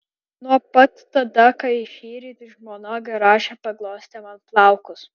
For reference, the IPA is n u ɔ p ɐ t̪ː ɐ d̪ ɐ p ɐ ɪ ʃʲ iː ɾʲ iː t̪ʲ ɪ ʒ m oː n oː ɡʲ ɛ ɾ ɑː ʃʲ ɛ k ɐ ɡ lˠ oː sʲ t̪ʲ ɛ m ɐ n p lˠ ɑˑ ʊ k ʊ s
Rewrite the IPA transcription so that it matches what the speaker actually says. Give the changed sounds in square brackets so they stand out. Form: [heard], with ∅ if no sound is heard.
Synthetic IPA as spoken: n u ɔ p ɐ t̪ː ɐ d̪ ɐ [k] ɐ ɪ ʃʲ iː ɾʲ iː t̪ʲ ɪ ʒ m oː n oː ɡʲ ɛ ɾ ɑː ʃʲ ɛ [p] ɐ ɡ lˠ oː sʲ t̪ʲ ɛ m ɐ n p lˠ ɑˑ ʊ k ʊ s